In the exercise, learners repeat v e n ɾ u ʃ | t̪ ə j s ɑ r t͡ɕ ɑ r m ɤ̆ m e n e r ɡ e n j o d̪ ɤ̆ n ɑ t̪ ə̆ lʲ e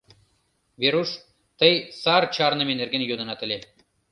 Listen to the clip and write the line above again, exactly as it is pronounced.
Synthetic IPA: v e ɾ u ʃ | t̪ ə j s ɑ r t͡ɕ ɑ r n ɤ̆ m e n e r ɡ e n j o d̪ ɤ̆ n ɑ t̪ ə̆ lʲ e